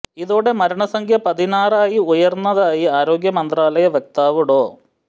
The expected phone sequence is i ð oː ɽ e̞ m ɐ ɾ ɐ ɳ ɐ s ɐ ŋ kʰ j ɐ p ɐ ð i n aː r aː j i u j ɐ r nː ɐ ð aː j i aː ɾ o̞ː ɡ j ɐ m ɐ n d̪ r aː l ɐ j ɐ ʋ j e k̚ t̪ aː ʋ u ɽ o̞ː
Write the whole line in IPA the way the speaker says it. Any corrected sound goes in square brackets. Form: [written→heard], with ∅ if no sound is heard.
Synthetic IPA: i ð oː ɽ e̞ m ɐ ɾ ɐ ɳ ɐ s ɐ ŋ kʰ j ɐ p ɐ ð i n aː r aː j i u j ɐ r nː ɐ ð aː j i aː ɾ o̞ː ɡ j ɐ m ɐ n d̪ r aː l ɐ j ɐ ʋ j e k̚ t̪ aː ʋ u ɽ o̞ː